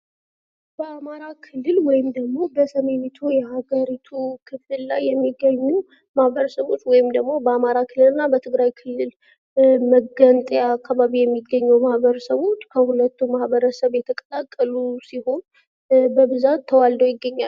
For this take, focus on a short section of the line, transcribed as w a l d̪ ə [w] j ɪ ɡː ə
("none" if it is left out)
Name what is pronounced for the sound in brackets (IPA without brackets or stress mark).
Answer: w